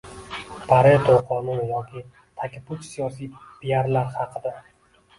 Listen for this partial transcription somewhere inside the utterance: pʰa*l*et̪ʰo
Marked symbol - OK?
no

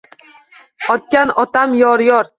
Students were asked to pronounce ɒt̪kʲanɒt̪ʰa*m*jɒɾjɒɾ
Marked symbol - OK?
yes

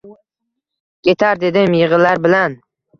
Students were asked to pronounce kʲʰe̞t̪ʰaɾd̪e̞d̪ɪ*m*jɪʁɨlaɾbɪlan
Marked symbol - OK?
yes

